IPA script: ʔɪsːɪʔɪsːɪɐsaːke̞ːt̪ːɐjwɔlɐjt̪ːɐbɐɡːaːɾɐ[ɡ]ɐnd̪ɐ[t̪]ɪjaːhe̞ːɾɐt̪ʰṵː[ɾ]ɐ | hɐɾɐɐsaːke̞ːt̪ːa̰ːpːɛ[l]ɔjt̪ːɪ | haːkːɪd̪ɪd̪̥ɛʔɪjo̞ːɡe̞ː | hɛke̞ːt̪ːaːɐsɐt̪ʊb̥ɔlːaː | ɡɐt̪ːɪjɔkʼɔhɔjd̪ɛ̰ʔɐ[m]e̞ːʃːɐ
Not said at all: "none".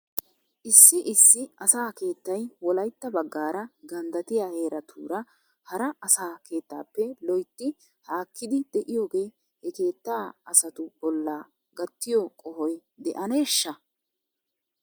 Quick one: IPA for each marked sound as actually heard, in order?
ɡ, t̪, ɾ, l, n

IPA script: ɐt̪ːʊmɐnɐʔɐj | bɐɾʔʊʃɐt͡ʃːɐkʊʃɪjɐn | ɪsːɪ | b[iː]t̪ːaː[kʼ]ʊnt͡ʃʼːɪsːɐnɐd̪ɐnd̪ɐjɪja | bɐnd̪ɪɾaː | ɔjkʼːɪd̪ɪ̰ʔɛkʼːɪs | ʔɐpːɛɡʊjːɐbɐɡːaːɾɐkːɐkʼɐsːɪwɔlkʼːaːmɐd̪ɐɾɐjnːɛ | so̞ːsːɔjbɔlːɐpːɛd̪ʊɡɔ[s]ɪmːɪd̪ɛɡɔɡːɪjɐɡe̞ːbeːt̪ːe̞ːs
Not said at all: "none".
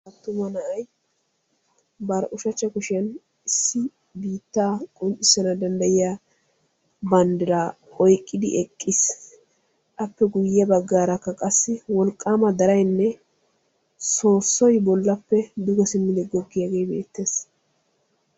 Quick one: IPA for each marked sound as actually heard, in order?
iː, kʼ, s

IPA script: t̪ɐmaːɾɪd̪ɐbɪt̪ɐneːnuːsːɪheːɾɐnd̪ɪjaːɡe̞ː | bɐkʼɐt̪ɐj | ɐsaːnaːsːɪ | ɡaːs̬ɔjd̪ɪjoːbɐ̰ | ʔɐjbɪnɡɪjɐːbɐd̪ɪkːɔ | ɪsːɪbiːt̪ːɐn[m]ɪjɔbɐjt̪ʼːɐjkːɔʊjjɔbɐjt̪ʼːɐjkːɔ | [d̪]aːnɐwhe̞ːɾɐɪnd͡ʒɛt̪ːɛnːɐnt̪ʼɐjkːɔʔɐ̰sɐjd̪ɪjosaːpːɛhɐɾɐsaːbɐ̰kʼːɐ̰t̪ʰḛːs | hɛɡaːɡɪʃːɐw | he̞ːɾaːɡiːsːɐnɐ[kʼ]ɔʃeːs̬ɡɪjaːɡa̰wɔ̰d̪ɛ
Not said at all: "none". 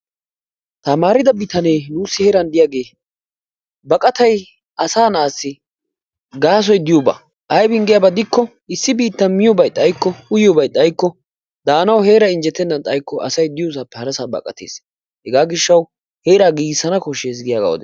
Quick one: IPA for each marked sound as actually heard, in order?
m, d̪, k

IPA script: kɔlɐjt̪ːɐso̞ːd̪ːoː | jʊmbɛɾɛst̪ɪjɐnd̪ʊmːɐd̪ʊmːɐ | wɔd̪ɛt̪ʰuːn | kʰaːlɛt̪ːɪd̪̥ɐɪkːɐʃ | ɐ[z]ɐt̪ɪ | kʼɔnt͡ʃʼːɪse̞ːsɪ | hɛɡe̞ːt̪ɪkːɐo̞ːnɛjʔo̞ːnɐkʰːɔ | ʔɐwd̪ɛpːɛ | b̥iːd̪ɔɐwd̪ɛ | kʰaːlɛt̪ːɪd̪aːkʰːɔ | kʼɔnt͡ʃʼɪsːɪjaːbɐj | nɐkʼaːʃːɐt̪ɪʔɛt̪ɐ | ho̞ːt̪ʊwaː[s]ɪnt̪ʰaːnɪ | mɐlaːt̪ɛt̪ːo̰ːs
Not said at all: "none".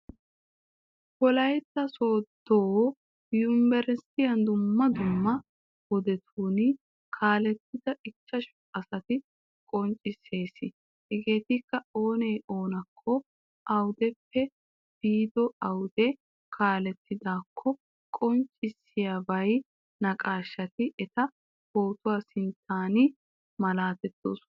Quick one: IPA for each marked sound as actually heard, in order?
s, s

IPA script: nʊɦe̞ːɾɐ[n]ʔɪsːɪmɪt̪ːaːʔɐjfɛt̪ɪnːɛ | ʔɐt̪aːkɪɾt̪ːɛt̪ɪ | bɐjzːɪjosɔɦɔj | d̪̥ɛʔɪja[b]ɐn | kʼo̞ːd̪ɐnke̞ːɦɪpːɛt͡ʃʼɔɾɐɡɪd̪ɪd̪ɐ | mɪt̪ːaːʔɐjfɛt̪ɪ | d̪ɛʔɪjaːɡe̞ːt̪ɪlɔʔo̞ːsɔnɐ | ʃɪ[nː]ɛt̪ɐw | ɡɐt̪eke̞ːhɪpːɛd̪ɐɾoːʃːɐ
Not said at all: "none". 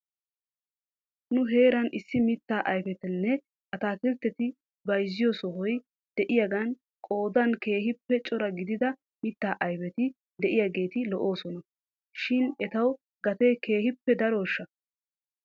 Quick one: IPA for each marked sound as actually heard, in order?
n, ɡ, n

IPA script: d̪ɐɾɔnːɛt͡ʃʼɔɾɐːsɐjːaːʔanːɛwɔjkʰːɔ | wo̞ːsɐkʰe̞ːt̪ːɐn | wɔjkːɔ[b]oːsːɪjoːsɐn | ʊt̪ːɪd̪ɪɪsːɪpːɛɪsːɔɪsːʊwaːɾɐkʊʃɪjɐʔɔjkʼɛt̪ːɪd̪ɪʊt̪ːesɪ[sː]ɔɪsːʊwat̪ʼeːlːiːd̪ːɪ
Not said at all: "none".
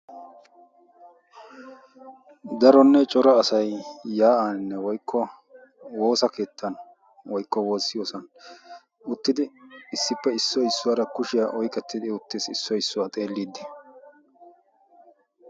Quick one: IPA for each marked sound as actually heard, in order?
w, sː

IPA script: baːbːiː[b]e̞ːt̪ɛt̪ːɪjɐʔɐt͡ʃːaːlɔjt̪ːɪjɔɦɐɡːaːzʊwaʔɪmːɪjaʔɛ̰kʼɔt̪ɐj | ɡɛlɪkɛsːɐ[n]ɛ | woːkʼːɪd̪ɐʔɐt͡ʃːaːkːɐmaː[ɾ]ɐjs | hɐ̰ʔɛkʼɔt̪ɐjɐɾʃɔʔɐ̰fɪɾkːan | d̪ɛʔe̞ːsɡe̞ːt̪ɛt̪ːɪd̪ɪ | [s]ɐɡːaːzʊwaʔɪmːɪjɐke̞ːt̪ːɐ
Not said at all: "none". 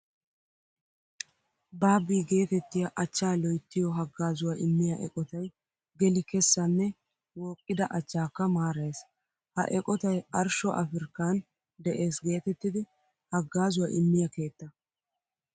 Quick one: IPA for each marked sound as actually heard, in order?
ɡ, nː, ɾ, h

